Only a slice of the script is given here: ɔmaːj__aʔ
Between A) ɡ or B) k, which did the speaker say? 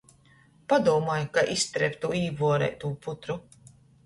B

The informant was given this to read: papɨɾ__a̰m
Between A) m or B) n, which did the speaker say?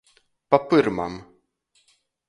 A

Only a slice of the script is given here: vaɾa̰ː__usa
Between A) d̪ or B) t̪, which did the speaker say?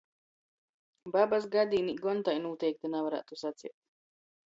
B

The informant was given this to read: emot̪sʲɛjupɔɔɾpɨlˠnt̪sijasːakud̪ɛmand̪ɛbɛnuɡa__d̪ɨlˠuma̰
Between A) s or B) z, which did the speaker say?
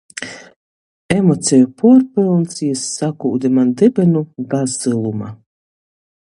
B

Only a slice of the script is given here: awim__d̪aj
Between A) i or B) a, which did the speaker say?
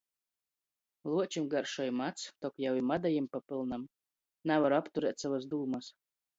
B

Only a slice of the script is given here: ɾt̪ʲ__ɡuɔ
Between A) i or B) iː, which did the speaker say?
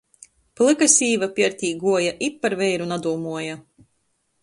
B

